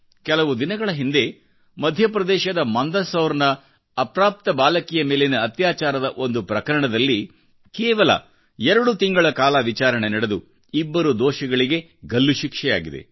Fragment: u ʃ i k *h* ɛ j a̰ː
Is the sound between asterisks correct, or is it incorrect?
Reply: incorrect